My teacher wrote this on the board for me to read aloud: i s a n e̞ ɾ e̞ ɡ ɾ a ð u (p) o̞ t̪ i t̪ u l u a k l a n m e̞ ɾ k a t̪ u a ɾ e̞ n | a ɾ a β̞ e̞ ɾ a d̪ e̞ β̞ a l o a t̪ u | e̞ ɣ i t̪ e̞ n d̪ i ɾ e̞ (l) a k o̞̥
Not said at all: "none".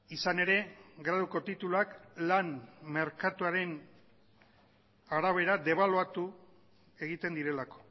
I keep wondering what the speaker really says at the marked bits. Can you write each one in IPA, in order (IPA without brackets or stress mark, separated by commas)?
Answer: k, l